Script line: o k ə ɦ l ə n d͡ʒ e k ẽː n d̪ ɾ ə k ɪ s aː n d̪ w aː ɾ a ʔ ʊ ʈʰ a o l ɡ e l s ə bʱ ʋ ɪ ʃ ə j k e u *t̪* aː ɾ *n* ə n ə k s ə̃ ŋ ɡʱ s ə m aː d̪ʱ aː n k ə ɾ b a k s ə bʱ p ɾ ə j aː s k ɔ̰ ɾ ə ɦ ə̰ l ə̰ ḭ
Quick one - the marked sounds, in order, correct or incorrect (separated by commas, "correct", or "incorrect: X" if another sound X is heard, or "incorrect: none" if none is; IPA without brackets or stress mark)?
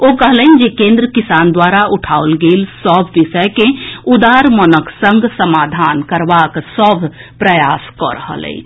incorrect: d̪, incorrect: m